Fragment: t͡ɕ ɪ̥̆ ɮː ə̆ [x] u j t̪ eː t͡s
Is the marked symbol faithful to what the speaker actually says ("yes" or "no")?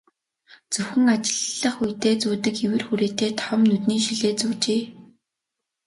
no